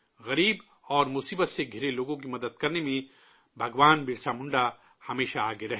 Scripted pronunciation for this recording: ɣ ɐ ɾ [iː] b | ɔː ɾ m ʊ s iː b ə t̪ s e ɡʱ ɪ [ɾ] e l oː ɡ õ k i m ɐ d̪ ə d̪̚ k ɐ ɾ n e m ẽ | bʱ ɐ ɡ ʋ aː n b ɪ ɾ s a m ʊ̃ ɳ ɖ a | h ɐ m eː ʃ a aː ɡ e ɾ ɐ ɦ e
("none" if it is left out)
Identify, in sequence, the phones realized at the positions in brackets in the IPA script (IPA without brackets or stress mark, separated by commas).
iː, ɾ